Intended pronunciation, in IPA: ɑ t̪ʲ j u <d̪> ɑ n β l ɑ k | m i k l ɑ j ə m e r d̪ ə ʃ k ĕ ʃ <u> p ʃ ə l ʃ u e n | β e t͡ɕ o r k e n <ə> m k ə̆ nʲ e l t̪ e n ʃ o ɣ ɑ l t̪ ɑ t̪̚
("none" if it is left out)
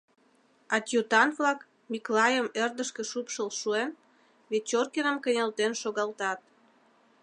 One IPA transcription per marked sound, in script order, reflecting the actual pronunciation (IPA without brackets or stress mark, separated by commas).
t̪, u, ə